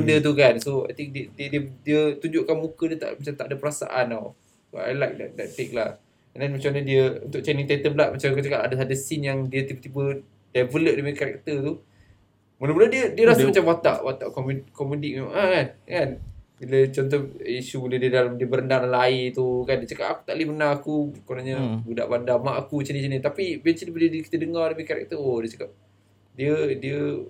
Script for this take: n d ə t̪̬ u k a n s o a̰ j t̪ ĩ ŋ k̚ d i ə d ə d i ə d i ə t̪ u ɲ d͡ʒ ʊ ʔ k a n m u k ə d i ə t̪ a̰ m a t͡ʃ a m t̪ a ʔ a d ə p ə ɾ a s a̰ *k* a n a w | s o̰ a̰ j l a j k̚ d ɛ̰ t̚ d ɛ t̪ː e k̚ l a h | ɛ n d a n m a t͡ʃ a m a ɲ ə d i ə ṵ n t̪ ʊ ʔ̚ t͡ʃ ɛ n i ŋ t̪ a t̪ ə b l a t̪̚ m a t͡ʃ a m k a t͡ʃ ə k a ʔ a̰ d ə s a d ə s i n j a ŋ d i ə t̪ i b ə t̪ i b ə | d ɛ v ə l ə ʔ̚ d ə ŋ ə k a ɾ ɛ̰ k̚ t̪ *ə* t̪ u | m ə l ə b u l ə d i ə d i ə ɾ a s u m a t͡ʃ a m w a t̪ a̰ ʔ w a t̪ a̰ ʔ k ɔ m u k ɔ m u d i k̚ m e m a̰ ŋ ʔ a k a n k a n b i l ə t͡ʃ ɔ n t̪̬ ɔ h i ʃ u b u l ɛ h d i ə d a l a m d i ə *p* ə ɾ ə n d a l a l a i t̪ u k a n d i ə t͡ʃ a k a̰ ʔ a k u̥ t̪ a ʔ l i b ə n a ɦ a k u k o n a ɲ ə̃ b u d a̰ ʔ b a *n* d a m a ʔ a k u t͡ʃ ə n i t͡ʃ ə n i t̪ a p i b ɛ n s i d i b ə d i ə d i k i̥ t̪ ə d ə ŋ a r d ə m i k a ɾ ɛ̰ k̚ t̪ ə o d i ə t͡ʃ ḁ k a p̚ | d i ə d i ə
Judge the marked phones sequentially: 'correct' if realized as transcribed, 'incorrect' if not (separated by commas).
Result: incorrect, correct, incorrect, correct